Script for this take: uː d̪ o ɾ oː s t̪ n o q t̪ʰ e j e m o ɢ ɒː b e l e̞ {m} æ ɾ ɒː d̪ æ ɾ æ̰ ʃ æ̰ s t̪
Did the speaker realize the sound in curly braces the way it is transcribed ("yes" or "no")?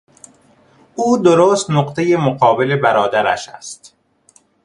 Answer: no